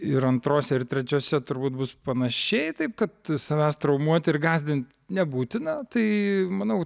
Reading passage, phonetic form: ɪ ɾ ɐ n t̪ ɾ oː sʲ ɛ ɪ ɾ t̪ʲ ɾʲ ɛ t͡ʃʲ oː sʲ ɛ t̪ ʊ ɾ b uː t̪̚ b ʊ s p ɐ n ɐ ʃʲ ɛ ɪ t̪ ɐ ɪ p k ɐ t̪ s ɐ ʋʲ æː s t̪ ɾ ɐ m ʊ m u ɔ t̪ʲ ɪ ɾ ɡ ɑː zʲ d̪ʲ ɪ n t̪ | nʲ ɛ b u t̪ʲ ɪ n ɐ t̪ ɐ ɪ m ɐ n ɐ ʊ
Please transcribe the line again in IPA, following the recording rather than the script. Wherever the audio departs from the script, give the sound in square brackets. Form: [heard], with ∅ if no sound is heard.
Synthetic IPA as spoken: ɪ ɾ ɐ n t̪ ɾ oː sʲ ɛ ɪ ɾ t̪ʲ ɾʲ ɛ t͡ʃʲ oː sʲ ɛ t̪ ʊ ɾ b uː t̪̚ b ʊ s p ɐ n ɐ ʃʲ ɛ ɪ t̪ ɐ ɪ p k ɐ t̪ s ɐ ʋʲ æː s t̪ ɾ ɐ [∅] ʊ m u ɔ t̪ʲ ɪ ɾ ɡ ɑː zʲ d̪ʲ ɪ n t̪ | nʲ ɛ b [uː] t̪ʲ ɪ n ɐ t̪ ɐ ɪ m ɐ n ɐ ʊ